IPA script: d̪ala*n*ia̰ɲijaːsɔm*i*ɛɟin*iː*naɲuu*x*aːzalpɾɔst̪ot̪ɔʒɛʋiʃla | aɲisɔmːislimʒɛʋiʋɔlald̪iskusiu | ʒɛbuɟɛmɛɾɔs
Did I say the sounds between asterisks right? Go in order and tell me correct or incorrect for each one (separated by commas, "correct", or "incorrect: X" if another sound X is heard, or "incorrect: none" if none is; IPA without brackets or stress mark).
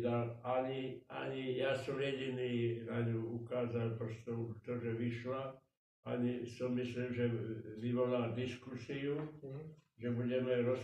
incorrect: ɲ, incorrect: j, correct, incorrect: k